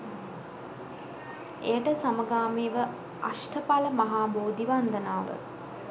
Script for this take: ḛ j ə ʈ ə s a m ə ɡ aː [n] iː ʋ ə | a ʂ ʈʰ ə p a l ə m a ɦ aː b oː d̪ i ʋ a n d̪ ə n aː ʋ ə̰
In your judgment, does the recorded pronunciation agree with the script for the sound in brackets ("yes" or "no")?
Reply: no